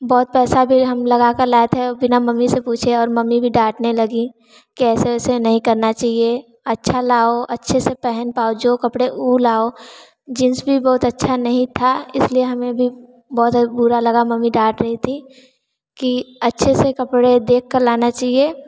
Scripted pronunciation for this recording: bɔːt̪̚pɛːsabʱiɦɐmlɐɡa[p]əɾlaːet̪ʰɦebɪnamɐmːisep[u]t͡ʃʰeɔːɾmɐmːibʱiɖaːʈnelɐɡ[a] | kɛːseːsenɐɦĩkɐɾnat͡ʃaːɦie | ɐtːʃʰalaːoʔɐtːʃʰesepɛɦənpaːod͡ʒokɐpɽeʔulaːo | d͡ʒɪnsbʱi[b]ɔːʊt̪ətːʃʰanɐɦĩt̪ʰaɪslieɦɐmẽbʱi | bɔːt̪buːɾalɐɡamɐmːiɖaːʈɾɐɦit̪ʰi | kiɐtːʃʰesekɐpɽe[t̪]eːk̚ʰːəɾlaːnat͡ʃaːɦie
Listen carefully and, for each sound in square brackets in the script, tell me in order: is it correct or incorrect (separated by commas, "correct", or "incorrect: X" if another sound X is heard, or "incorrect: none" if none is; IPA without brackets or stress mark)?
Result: incorrect: k, incorrect: uː, incorrect: i, correct, incorrect: d̪